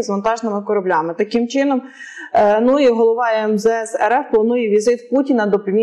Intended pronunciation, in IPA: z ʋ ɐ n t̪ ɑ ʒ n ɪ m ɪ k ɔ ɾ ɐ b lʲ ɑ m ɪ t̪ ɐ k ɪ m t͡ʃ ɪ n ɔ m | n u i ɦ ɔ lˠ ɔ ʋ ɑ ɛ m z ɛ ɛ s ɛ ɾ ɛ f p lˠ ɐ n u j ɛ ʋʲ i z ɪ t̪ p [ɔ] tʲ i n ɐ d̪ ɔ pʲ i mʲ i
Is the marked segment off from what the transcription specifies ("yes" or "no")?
yes